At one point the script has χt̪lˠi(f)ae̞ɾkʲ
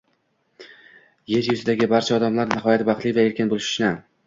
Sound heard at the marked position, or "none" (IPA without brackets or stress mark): v